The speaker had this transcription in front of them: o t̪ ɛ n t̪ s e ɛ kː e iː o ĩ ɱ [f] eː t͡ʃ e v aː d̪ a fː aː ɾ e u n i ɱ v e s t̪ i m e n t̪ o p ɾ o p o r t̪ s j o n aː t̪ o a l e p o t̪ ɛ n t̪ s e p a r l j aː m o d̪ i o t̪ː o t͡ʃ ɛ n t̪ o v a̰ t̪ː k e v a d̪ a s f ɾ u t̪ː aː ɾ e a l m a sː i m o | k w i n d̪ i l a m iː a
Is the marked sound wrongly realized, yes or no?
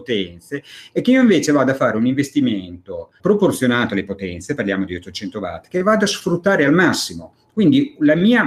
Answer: yes